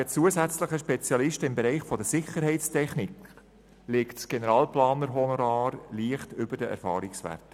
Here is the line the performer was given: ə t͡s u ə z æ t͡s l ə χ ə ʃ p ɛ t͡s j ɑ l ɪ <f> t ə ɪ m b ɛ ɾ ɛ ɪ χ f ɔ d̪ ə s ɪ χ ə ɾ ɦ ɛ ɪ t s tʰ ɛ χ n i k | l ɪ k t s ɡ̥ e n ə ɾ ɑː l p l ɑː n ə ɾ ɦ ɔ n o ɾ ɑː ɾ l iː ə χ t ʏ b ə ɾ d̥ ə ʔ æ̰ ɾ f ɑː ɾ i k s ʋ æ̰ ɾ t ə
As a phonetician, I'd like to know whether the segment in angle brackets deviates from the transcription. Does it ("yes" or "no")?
yes